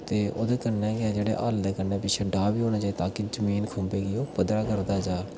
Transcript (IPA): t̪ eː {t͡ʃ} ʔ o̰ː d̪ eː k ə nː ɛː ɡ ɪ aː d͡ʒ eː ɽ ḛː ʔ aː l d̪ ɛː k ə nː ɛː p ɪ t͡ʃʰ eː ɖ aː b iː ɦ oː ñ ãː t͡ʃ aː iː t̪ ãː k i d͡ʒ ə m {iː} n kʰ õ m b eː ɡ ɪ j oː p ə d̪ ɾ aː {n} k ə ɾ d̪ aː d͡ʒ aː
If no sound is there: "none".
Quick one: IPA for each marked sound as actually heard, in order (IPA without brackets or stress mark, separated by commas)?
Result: none, iː, none